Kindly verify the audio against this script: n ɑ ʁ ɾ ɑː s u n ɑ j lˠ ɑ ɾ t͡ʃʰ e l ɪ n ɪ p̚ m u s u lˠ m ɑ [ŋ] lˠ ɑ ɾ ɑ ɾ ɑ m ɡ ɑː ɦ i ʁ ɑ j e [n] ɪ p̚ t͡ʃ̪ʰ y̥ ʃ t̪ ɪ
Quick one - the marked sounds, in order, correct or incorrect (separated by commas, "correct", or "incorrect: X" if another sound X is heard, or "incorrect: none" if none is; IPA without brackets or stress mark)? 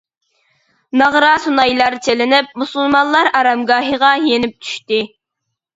incorrect: n, correct